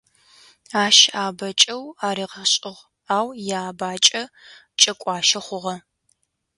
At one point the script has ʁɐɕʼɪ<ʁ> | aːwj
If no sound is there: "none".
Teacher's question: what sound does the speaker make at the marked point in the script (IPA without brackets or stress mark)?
ʁ